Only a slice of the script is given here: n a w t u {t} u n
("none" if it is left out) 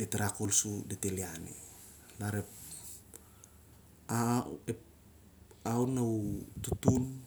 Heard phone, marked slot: t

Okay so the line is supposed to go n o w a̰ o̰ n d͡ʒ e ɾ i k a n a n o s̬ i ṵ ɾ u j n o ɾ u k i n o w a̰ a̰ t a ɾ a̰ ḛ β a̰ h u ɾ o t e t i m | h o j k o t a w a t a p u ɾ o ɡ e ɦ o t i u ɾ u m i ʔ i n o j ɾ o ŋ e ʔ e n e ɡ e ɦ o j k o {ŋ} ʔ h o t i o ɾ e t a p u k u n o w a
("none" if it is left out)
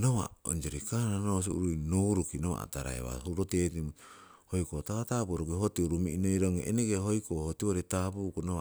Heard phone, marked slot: none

